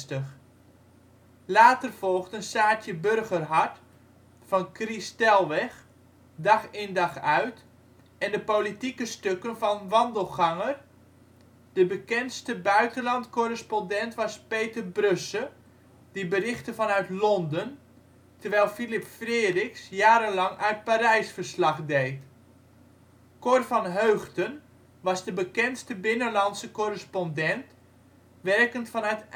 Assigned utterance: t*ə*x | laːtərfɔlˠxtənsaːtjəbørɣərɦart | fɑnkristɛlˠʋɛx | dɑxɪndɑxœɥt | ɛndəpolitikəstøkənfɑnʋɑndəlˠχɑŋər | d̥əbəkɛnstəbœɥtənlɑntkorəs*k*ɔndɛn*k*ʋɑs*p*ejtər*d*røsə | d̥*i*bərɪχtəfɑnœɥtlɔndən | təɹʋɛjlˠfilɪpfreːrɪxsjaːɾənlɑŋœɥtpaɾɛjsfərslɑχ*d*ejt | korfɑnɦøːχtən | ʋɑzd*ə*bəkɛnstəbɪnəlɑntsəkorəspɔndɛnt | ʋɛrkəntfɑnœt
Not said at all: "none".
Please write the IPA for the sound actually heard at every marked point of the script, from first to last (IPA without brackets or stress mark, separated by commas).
ə, p, t, p, b, i, d, ə